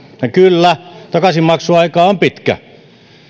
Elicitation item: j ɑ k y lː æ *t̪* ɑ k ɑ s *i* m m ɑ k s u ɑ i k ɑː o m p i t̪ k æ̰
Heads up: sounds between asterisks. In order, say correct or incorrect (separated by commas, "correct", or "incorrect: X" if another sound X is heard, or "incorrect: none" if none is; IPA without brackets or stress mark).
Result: correct, correct